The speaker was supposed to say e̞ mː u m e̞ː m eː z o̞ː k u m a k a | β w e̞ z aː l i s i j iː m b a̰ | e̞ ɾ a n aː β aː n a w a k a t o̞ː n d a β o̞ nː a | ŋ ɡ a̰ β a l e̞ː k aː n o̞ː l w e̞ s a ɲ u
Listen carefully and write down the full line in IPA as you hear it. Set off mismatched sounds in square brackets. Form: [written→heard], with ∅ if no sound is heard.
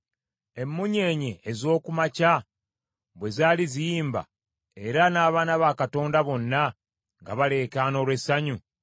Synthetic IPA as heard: e̞ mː u [m→ɲ] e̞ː [m→ɲ] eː z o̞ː k u m a [k→c] a | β w e̞ z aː l i [s→z] i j iː m b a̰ | e̞ ɾ a n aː β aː n a [w→β] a k a t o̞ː n d a β o̞ nː a | ŋ ɡ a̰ β a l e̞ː k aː n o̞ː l w e̞ s a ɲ u